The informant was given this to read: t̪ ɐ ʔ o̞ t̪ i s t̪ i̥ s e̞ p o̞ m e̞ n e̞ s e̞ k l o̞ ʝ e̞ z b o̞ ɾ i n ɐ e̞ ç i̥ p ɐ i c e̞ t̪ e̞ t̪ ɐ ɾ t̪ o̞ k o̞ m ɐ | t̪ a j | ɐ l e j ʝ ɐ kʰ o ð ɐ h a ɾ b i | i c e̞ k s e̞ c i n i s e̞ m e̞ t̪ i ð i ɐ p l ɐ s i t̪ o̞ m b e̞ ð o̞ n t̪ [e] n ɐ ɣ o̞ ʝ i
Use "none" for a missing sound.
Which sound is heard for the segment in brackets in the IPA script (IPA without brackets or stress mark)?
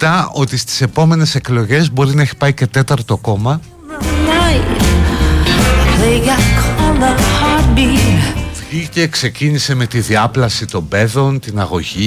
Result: i